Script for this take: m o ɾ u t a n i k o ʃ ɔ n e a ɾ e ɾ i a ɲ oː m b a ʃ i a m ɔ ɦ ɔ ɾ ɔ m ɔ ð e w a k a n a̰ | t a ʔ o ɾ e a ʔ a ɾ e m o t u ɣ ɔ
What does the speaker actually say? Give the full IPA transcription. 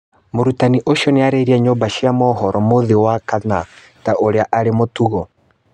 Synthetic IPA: m o ɾ u t a n i ʔ o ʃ ɔ n e a ɾ e ɾ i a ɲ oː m b a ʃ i a m ɔ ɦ ɔ ɾ ɔ m o ð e w a k a n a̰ | t a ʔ o ɾ e a ʔ a ɾ e m o t u ɣ ɔ